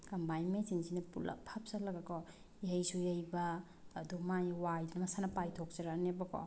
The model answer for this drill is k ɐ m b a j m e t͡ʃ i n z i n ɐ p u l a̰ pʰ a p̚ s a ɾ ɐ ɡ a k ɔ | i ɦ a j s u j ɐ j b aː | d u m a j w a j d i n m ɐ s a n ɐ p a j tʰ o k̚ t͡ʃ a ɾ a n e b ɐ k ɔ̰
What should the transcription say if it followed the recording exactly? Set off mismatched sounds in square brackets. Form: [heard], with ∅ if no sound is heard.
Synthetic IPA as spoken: k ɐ m b a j m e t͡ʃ i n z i n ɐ p u l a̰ pʰ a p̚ s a [l] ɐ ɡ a k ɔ | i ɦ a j s u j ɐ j b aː | d u m a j w a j d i n m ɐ s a n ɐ p a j tʰ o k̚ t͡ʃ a ɾ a n e b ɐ k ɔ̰